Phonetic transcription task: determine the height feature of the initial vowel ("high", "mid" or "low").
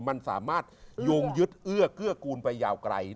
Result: low